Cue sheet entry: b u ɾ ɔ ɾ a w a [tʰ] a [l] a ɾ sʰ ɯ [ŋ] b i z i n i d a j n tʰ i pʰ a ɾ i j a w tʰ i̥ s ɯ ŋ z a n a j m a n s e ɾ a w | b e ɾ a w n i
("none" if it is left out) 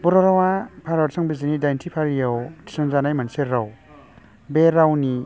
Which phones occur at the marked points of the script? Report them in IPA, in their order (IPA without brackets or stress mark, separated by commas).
pʰ, ɾ, ŋ